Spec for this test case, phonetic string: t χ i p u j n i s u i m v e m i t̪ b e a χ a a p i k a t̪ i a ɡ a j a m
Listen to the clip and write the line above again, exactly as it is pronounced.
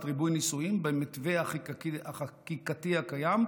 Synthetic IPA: t ʁ i b u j n i s u i m b e m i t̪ v e a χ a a k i k a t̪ i a k a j a m